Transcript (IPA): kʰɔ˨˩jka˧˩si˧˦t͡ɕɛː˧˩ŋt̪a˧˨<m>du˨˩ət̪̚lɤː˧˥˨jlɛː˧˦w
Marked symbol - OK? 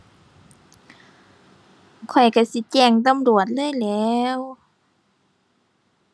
yes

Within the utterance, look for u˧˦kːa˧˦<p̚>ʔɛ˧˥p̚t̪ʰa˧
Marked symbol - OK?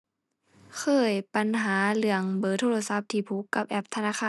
yes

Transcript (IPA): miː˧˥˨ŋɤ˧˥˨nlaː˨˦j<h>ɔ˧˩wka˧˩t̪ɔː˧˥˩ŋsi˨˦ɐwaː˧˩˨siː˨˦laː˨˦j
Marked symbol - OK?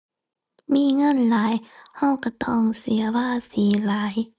yes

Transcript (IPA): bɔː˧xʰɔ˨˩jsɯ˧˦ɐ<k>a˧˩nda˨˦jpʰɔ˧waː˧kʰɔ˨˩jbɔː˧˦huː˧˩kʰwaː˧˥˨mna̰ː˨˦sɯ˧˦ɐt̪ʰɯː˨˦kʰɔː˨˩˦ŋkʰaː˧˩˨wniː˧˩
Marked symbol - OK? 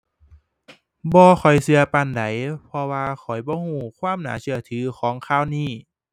no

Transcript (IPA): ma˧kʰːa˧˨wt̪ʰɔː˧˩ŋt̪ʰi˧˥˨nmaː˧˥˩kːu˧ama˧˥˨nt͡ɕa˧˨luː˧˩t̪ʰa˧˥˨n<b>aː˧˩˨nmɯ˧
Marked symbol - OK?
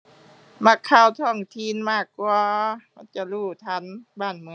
yes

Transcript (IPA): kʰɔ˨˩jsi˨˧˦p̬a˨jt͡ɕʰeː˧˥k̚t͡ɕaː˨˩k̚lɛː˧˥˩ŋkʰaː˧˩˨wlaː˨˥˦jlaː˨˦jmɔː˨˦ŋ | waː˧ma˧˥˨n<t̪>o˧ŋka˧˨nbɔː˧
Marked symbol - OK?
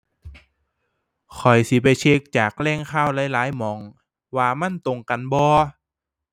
yes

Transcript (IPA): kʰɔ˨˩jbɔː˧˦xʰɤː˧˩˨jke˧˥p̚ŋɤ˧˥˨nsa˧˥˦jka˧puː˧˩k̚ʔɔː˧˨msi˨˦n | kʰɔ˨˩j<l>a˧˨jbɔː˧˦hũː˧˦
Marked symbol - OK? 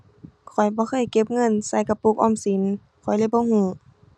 yes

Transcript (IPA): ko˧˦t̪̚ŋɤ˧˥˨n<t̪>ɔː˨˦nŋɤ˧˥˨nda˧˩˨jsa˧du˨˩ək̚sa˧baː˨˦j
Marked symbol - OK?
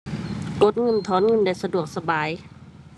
no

